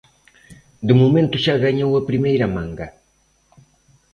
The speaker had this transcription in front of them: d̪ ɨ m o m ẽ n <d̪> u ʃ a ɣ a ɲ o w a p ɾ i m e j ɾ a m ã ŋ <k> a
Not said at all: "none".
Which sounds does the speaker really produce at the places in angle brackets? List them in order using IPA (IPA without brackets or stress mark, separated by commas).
t̪, ɡ